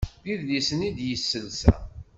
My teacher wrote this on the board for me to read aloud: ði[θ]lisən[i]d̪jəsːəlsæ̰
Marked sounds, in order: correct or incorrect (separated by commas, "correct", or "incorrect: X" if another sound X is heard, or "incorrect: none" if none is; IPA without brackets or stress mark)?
incorrect: ð, correct